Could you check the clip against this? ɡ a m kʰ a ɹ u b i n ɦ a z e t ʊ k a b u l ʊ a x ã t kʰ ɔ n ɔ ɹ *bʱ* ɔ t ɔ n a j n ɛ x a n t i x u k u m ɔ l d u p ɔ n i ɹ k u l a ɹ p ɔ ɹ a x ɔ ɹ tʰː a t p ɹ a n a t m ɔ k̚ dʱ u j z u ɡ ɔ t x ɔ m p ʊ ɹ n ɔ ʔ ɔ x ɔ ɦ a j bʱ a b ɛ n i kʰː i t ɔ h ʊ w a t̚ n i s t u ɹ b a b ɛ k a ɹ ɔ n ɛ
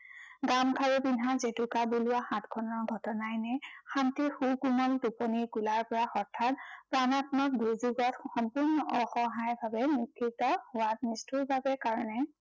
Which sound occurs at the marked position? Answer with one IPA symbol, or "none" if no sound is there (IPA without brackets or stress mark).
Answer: ɡʱ